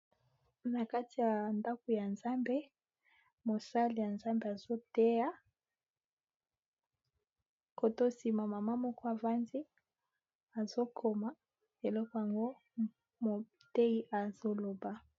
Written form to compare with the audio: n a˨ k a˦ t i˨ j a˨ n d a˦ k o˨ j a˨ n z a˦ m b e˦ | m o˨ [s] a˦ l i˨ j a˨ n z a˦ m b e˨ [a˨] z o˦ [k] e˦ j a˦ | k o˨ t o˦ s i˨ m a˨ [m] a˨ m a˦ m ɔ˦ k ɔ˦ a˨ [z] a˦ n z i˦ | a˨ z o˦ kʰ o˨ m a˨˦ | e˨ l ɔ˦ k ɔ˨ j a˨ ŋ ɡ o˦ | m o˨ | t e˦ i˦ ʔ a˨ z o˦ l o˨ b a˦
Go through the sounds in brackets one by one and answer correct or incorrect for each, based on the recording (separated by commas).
correct, correct, incorrect, correct, incorrect